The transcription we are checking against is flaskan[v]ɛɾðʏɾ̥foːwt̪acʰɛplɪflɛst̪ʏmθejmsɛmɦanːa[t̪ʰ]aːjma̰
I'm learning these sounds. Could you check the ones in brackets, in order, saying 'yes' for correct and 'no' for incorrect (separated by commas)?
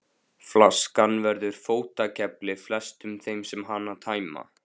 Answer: yes, yes